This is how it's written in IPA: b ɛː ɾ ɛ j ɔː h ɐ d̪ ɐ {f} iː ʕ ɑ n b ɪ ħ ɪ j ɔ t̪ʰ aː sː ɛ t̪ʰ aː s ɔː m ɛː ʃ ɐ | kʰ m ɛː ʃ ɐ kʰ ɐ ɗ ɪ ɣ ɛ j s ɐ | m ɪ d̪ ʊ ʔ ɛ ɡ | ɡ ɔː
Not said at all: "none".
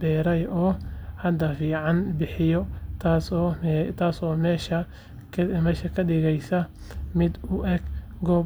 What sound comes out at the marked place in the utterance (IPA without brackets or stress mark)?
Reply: f